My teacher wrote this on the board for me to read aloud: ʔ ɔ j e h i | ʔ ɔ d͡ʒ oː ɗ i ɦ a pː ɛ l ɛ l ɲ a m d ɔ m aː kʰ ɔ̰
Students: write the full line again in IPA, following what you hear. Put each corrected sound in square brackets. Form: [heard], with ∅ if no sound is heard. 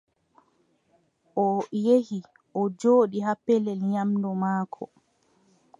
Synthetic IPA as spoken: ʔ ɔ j e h i | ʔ ɔ d͡ʒ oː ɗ i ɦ a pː ɛ l ɛ l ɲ a m d ɔ m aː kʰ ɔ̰